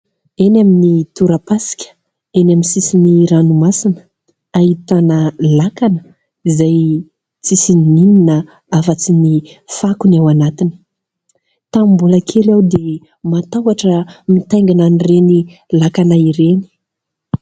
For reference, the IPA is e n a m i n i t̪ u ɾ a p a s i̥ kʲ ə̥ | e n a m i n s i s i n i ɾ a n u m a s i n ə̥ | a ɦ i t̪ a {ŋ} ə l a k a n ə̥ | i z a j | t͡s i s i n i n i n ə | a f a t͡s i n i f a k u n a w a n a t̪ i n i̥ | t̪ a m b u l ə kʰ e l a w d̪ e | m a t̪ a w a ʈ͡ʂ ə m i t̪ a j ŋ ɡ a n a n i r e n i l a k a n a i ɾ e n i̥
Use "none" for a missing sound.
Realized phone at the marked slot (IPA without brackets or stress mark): n